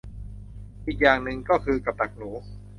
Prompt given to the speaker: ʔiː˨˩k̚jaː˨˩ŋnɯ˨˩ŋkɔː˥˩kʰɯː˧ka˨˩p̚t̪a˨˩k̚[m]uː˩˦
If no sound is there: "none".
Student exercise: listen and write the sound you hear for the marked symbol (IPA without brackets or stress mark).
n